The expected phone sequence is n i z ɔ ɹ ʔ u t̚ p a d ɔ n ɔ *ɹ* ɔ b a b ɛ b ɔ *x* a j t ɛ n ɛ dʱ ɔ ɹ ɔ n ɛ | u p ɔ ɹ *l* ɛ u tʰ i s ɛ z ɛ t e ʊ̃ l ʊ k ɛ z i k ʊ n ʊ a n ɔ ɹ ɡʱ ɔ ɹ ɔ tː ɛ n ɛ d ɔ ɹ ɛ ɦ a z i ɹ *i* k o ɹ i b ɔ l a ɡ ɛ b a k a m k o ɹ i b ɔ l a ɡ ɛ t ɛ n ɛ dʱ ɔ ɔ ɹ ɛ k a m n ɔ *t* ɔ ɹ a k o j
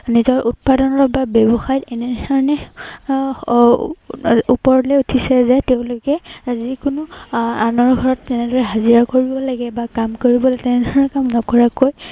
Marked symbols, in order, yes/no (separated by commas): yes, yes, yes, no, no